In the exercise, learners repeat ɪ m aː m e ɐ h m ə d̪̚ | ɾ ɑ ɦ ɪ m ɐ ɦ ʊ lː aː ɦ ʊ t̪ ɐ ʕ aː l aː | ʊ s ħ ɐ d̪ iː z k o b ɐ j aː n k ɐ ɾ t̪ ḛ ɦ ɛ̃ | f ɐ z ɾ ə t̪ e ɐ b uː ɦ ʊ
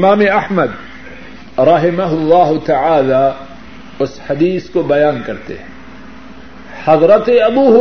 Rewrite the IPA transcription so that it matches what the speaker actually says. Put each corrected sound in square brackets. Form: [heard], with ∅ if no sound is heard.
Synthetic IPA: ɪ m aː m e ɐ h m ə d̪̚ | ɾ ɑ ɦ ɪ m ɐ ɦ ʊ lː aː ɦ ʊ t̪ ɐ ʕ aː l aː | ʊ s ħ ɐ d̪ iː [s] k o b ɐ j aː n k ɐ ɾ t̪ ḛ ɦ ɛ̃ | [h] ɐ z ɾ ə t̪ e ɐ b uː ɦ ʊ